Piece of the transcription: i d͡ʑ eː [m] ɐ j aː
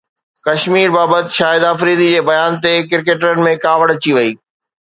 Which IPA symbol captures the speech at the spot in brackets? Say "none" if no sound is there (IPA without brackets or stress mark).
b